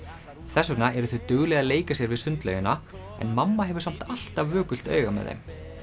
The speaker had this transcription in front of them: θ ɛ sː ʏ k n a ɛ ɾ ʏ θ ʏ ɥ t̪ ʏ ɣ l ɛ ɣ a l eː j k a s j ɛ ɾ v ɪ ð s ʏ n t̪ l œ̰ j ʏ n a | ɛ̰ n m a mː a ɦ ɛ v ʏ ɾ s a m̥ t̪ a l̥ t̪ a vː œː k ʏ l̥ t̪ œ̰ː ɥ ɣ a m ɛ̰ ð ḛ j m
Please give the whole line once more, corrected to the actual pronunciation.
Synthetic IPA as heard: θ ɛ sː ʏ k n a ɛ ɾ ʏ θ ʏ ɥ t̪ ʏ ɣ l ɛ ɣ a l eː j k a s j ɛ ɾ v ɪ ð s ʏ n t̪ l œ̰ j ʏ n a | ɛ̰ n m a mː a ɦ ɛ v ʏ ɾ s a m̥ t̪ a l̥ t̪ a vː œː k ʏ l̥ t̪ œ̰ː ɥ ɣ a m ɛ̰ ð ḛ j m